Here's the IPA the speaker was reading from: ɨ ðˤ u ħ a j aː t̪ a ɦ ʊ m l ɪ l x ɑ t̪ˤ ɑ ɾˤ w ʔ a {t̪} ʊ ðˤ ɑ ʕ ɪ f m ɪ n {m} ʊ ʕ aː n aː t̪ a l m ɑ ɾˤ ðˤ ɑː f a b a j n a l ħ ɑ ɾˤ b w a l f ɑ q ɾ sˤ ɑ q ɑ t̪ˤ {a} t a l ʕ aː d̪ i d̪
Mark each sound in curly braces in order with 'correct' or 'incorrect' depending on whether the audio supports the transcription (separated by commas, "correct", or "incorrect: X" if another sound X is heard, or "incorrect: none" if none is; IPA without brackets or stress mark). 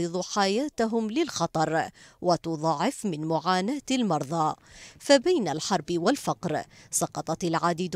correct, correct, incorrect: ɑ